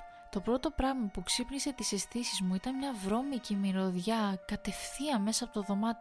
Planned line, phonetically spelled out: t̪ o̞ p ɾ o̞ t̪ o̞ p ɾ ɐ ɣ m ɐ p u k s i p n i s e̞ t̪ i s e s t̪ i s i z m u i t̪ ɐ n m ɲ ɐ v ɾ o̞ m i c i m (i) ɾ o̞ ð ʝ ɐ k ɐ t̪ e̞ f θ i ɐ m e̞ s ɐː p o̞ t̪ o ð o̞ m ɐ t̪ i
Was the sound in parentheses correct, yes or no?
yes